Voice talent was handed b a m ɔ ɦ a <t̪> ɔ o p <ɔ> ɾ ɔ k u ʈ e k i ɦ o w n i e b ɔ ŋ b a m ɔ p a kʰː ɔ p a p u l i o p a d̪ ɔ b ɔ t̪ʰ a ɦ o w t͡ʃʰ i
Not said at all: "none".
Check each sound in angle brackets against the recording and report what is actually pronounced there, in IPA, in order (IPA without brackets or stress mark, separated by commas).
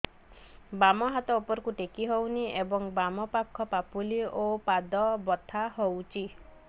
t̪, ɔ